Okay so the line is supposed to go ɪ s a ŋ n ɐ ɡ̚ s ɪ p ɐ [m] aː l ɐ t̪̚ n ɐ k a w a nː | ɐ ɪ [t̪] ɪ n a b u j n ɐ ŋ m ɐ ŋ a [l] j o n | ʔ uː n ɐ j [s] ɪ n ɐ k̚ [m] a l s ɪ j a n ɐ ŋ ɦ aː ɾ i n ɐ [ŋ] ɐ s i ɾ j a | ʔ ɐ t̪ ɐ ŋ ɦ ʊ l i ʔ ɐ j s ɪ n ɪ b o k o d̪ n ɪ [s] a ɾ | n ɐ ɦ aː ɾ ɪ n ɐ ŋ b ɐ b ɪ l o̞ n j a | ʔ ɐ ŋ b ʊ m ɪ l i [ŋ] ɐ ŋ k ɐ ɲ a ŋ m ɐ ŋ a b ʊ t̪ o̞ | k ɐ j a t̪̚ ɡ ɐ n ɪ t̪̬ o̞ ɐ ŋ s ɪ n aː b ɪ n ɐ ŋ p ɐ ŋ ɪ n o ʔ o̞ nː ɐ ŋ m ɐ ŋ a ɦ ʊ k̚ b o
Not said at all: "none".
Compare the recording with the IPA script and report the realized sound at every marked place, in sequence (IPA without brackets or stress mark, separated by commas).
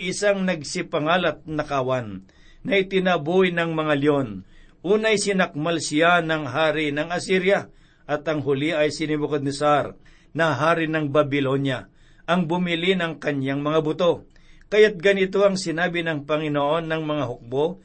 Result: ŋ, t̪, l, s, m, ŋ, s, n